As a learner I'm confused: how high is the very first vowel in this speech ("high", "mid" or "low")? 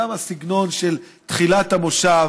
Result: low